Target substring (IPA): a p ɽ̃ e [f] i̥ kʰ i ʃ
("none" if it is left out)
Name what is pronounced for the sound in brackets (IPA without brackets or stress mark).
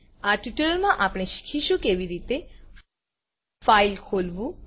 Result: ʃ